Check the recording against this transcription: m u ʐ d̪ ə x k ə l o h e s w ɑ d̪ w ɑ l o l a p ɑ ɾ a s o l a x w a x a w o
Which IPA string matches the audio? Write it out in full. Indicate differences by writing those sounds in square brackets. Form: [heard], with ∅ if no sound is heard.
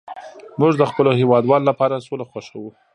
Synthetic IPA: m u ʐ d̪ ə x [p] ə l o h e [∅] w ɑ d̪ w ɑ l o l a p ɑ ɾ a s o l a x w a [ʃ] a w [u]